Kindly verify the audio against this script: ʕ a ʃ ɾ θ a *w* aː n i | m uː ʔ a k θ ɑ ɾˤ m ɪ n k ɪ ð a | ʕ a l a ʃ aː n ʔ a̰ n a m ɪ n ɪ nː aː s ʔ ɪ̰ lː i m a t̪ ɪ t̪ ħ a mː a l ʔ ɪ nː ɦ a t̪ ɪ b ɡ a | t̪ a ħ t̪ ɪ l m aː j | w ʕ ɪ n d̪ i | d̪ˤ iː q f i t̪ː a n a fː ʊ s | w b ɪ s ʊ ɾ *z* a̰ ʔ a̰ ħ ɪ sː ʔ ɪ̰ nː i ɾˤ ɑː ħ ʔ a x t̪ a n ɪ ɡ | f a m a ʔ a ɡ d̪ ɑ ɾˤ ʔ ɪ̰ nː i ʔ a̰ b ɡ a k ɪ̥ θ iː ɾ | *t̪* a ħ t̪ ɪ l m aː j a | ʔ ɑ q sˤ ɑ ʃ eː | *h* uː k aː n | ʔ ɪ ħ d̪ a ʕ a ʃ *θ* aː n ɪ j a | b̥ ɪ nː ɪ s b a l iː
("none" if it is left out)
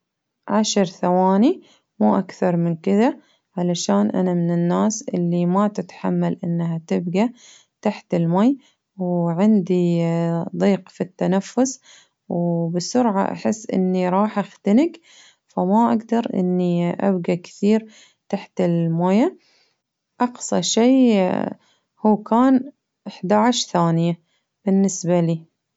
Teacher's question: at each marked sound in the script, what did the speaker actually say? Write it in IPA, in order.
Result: w, ʕ, t̪, h, θ

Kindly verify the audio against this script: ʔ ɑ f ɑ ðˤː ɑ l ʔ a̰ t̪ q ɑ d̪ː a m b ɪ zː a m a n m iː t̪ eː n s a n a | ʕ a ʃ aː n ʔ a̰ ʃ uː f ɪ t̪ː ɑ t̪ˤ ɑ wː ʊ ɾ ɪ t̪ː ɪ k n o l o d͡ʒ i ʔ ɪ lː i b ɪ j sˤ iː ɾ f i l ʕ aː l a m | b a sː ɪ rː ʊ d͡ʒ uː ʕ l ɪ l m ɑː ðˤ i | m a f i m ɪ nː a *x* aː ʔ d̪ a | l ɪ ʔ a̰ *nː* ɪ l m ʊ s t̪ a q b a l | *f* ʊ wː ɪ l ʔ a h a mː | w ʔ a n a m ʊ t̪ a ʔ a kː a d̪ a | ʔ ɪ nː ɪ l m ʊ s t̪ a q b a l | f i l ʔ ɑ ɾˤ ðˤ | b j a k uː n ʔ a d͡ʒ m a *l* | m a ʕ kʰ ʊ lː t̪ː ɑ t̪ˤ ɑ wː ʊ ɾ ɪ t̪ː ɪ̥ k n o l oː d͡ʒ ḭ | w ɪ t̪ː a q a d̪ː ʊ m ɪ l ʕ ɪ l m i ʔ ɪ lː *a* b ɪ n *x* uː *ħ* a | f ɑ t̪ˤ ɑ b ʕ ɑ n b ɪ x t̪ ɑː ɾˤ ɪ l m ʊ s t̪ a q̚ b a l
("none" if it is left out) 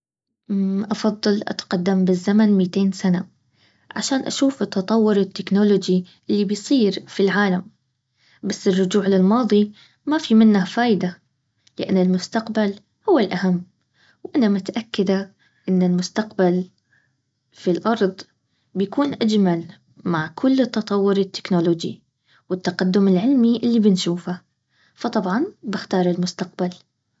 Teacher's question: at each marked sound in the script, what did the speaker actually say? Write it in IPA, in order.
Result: f, nː, h, l, i, ʃ, f

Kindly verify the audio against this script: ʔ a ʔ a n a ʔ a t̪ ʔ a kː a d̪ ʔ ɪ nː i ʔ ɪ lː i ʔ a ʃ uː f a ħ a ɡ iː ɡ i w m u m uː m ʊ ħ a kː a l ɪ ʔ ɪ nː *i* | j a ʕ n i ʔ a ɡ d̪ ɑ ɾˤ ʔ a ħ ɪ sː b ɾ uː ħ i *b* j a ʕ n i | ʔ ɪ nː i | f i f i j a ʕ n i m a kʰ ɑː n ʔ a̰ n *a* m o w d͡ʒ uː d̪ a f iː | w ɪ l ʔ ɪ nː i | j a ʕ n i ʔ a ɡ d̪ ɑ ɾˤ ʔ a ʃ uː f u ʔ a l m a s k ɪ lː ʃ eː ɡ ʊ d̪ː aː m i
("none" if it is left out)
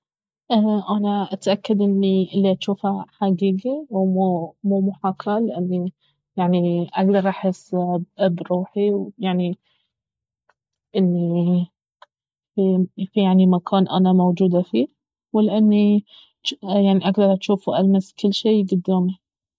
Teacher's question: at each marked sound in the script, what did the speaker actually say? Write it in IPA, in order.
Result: i, w, a

